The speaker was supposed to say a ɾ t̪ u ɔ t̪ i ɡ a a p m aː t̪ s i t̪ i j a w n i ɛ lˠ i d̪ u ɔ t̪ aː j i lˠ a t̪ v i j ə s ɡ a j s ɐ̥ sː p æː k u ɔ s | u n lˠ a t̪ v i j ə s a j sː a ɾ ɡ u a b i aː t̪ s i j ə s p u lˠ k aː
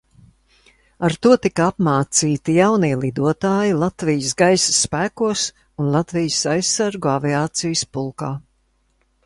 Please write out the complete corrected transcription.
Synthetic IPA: a ɾ t̪ u ɔ t̪ i k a a p m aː t̪ s iː t̪ i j a w n i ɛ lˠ i d̪ u ɔ t̪ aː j i lˠ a t̪ v i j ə s ɡ a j s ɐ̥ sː p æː k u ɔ s | u n lˠ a t̪ v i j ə s a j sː a ɾ ɡ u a v i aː t̪ s i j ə s p u lˠ k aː